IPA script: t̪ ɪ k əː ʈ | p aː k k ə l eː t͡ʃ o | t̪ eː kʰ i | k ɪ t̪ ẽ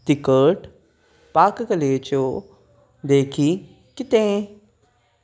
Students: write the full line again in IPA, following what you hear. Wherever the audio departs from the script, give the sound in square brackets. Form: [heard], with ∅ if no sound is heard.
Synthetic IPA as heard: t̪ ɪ k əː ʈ | p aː k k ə l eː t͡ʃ o | [d̪] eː kʰ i | k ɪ t̪ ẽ